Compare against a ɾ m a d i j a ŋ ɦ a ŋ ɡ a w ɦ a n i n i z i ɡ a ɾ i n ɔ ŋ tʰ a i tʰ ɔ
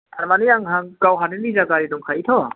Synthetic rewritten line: a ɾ m a n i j a ŋ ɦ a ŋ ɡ a w ɦ a n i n i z a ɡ a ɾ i d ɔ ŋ kʰ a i tʰ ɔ